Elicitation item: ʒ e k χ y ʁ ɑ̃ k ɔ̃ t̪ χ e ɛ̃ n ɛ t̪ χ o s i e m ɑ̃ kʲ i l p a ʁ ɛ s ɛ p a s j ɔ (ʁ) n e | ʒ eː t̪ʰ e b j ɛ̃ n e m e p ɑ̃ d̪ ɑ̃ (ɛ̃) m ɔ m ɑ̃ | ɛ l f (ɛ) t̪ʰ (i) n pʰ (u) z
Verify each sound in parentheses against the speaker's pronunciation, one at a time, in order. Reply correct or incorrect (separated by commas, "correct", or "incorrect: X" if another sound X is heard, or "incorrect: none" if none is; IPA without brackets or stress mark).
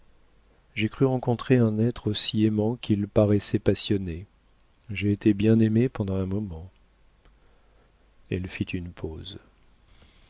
incorrect: none, correct, incorrect: i, incorrect: y, incorrect: o